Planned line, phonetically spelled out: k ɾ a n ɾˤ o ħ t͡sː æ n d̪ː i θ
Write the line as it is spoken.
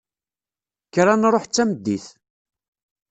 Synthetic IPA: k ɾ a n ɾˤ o ħ t͡sː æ m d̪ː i θ